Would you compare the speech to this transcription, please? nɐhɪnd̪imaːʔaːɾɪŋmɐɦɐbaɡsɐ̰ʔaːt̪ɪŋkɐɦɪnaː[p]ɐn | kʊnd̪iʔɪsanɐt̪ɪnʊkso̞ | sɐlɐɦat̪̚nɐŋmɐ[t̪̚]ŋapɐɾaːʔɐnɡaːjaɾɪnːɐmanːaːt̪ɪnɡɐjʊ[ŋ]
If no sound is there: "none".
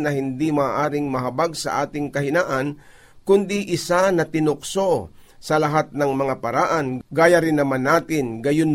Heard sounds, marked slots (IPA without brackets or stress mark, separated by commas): ʔ, none, n